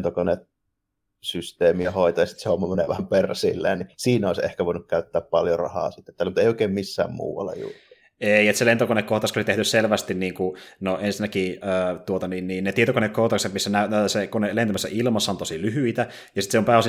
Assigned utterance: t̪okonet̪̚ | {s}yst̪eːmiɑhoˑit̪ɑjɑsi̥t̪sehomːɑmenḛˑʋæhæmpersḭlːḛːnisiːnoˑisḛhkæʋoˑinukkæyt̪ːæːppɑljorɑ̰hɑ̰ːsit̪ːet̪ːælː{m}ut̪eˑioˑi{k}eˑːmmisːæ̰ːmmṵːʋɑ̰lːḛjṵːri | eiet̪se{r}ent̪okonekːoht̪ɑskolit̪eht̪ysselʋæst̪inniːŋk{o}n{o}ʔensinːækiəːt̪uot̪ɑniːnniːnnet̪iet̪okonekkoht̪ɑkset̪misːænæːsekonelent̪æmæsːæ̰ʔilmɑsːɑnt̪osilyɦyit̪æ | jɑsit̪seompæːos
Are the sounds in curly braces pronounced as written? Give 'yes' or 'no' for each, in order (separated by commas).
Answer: yes, yes, yes, no, no, yes